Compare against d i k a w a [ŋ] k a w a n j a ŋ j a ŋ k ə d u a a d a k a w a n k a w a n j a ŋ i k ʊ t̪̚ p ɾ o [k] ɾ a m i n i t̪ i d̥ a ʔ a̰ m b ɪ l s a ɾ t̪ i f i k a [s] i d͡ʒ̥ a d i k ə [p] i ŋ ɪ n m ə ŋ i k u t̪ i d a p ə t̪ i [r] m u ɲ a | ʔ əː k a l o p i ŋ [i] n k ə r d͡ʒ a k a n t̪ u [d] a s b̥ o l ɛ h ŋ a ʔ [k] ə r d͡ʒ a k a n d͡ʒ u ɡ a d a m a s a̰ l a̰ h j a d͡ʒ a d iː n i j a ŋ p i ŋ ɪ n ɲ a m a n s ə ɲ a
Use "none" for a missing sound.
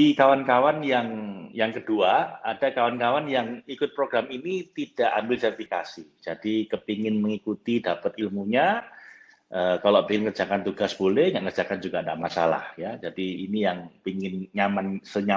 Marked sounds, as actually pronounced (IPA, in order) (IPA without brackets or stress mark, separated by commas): n, ɡ, s, p, l, ɪ, ɡ, k